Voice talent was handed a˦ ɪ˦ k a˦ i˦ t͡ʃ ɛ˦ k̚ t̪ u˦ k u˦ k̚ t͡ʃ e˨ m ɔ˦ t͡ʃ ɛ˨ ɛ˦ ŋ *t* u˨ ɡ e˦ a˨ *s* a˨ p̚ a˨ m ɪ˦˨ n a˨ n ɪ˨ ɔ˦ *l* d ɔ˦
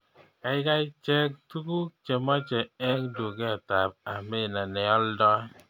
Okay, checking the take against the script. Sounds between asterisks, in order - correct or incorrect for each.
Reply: incorrect: d, incorrect: t, correct

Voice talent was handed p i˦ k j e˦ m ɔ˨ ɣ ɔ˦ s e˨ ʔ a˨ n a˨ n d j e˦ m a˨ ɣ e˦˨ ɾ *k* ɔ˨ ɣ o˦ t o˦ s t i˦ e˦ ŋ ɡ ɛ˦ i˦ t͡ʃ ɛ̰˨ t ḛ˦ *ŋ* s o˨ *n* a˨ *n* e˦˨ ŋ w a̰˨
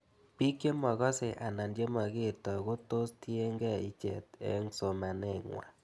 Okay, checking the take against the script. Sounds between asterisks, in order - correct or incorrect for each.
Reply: incorrect: t, correct, incorrect: m, correct

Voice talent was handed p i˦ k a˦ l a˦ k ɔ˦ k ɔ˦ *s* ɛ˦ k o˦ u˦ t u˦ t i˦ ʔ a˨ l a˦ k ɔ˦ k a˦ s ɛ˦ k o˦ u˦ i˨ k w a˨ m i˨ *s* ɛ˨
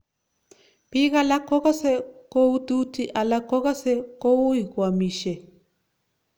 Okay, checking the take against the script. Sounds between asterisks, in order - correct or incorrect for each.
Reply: correct, incorrect: ʃ

